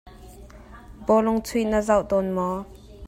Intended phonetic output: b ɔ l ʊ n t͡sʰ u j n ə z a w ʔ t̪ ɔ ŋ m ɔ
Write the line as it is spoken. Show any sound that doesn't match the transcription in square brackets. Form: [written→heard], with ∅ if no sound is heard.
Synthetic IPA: b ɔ l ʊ [n→ŋ] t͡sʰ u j n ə z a w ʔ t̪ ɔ [ŋ→n] m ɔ

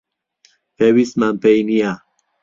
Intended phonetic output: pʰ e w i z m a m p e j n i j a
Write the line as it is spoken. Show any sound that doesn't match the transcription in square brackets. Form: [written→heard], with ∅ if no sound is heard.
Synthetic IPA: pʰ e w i [z→s] m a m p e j n i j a

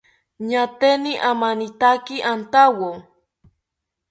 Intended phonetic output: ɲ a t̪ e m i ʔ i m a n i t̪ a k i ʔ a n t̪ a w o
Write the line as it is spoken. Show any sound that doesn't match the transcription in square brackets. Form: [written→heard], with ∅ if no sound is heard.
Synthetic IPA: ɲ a t̪ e [m→n] i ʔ [i→a] m a n i t̪ a k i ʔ a n t̪ a w o

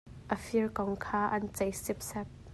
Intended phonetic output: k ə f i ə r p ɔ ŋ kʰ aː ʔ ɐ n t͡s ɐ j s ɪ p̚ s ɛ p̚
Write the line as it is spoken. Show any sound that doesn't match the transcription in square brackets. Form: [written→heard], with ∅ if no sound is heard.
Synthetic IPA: [k→ʔ] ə f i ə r [p→k] ɔ ŋ kʰ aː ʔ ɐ n t͡s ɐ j s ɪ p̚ s ɛ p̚

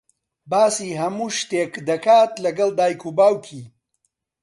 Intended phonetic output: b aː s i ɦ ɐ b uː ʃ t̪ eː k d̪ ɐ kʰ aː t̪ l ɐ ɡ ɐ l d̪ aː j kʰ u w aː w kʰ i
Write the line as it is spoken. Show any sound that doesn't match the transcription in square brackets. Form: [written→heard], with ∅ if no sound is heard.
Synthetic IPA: b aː s i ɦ ɐ [b→m] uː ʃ t̪ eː k d̪ ɐ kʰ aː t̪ l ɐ ɡ ɐ l d̪ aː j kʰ u [w→b] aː w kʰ i

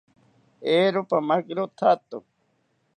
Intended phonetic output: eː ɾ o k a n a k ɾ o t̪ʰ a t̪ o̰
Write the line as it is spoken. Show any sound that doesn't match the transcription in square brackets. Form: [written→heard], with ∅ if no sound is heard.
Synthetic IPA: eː ɾ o [k→p] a [n→m] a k ɾ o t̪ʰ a t̪ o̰

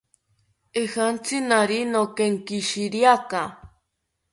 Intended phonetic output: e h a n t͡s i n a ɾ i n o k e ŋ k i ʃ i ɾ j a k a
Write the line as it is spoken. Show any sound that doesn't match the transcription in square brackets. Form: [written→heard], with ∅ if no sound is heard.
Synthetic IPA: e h a n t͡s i n a ɾ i n o k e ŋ k i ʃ i ɾ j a k a

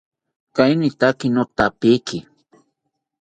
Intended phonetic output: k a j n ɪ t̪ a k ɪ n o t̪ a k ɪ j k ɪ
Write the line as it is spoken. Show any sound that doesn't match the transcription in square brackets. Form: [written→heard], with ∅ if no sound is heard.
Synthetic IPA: k a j n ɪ t̪ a k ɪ n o t̪ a [k→p] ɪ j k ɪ

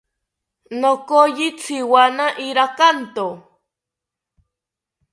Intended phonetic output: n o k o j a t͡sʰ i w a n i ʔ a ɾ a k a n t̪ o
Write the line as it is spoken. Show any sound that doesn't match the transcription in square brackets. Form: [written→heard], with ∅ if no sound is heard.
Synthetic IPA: n o k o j [a→i] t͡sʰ i w a n [i→a] ʔ [a→i] ɾ a k a n t̪ o

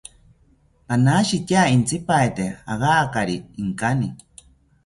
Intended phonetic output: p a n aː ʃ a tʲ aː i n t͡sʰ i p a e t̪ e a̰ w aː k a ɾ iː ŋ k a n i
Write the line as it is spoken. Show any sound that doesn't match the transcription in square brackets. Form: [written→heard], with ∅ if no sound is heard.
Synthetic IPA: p a n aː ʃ [a→i] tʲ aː i n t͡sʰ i p a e t̪ e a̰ [w→ɣ] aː k a ɾ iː ŋ k a n i

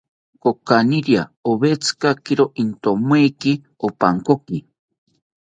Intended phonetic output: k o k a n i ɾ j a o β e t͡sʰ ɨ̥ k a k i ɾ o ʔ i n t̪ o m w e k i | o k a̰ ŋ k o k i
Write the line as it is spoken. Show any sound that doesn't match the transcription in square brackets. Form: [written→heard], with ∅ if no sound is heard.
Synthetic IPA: k o k a n i ɾ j a o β e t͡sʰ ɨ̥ k a k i ɾ o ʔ i n t̪ o m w e k i | o [k→p] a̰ ŋ k o k i

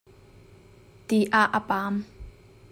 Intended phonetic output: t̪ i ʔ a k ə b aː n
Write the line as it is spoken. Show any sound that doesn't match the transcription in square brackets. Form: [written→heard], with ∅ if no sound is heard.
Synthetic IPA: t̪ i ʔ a [k→ʔ] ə [b→p] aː [n→m]

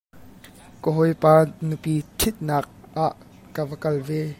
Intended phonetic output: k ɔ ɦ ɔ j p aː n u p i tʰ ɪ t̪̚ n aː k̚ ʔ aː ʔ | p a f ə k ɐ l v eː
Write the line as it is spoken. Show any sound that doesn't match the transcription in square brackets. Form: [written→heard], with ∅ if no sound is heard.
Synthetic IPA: k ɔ ɦ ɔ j p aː n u p i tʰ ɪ t̪̚ n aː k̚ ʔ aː ʔ | [p→k] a [f→v] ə k ɐ l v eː

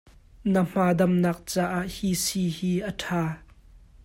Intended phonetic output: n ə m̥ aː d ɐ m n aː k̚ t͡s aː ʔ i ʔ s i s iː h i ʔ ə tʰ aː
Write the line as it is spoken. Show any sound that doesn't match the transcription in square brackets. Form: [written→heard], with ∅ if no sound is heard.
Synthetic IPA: n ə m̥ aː d ɐ m n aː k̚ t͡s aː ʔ [i→a] ʔ [s→h] i s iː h [i→iː] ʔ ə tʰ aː

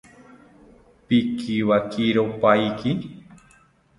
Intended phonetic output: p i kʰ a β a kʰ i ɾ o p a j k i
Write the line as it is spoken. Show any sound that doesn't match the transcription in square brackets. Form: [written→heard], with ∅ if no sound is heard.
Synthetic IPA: p i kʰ [a→i] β a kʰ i ɾ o p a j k i

